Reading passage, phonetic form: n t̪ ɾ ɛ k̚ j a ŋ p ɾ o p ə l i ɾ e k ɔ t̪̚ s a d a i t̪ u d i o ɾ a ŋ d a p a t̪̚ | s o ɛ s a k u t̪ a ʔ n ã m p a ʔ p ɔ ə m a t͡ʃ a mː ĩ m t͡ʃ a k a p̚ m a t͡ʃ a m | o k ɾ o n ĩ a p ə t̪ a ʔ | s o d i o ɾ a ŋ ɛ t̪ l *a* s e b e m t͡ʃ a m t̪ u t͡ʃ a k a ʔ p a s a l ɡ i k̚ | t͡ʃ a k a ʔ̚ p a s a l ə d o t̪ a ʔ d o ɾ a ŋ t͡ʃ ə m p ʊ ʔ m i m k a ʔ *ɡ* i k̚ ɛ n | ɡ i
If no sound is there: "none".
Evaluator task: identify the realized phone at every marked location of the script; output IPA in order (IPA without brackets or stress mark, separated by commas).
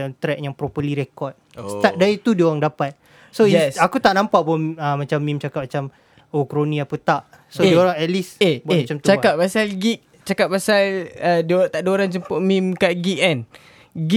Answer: i, ɡ